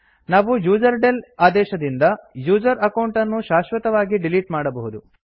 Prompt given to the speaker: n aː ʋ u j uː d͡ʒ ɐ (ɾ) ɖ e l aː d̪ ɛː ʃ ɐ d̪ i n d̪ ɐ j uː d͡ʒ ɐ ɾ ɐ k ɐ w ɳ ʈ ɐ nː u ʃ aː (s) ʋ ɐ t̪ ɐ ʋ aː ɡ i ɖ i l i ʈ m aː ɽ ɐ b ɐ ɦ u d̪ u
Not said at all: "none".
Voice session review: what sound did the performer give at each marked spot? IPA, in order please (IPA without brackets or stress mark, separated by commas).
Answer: ɾ, ʃ